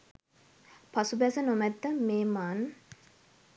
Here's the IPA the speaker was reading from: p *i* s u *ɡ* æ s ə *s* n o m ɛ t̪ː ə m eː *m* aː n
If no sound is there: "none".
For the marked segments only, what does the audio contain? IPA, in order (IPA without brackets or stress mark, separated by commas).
a, b, none, m